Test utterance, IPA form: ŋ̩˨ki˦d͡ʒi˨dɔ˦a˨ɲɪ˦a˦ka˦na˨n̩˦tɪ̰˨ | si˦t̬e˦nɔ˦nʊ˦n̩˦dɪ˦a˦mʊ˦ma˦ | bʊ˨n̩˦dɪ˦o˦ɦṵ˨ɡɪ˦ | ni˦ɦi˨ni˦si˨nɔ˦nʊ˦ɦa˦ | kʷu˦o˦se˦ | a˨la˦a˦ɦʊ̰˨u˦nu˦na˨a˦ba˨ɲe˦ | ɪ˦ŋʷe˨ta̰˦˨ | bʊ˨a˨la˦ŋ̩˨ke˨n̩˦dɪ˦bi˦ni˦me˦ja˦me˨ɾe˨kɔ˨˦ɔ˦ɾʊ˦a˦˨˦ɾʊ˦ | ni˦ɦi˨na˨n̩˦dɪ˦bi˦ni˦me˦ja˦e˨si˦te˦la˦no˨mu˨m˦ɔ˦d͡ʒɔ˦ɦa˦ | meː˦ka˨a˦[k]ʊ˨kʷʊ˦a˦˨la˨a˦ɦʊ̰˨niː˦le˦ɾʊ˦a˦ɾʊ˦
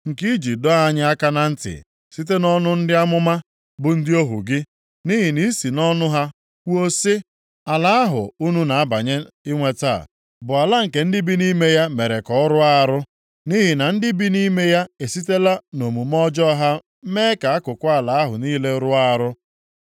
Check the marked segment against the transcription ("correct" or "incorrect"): correct